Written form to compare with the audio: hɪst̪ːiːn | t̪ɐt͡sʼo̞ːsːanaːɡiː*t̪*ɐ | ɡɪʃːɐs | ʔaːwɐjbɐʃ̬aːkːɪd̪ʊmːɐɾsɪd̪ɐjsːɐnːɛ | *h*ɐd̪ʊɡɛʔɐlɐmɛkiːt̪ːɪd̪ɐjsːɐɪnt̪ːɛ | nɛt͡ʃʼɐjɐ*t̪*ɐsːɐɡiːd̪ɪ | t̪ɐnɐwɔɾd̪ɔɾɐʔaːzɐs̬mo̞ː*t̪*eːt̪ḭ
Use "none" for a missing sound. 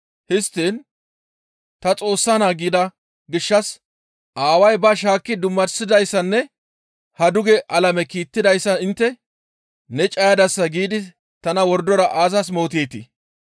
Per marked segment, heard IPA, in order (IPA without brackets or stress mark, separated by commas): d̪, h, d̪, t̪